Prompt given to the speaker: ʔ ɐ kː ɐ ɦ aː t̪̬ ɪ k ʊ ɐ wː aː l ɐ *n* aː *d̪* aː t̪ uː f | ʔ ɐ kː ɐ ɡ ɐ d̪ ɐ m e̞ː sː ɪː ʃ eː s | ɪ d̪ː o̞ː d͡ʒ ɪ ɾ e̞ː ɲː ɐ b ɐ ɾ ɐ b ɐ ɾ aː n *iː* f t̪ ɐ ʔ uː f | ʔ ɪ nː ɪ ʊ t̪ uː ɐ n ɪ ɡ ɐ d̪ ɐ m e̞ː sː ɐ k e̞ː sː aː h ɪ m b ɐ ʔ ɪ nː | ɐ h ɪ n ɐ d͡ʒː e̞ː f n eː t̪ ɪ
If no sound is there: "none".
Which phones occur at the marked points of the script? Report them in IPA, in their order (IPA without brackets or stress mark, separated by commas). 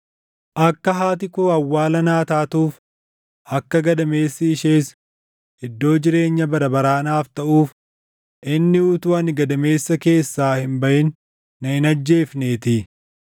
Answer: n, t̪, aː